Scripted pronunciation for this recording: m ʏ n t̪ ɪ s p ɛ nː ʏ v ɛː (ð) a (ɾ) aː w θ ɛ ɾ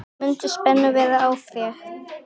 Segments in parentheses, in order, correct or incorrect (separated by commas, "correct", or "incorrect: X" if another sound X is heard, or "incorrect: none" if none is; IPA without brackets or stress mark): correct, incorrect: none